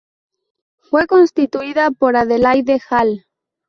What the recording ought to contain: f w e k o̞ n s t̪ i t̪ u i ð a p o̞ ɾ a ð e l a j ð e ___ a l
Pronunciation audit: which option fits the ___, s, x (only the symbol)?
x